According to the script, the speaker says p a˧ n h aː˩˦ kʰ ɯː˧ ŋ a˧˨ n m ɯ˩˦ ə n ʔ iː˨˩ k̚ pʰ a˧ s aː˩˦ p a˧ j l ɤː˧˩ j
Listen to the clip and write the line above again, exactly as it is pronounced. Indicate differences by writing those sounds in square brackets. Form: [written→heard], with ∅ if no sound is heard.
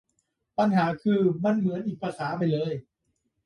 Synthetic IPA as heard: p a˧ n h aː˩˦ kʰ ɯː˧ [ŋ→m] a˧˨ n m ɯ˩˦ ə n ʔ iː˨˩ k̚ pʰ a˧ s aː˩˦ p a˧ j l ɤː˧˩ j

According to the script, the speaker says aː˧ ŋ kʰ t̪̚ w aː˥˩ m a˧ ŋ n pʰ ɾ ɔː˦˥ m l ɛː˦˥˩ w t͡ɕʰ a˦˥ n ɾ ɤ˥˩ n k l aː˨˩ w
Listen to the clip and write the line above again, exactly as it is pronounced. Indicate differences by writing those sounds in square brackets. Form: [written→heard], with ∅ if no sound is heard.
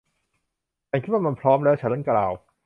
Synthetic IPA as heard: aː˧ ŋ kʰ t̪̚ w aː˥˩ m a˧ [ŋ→∅] n pʰ ɾ ɔː˦˥ m l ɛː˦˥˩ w t͡ɕʰ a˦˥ n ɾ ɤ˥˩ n k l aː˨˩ w

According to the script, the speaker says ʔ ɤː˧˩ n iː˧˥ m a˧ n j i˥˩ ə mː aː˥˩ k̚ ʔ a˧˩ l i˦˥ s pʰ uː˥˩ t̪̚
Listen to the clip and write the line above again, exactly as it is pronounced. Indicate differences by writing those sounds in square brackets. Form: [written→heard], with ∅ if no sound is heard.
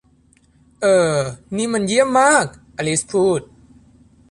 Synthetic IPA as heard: ʔ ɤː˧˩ n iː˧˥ m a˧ n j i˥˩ ə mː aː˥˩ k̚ ʔ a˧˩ l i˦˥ s pʰ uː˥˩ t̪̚

